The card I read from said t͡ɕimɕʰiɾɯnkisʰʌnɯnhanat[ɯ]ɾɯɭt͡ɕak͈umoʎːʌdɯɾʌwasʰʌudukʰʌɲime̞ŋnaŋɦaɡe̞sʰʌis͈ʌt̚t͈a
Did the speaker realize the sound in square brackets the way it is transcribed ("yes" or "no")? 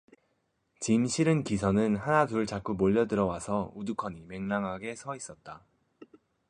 no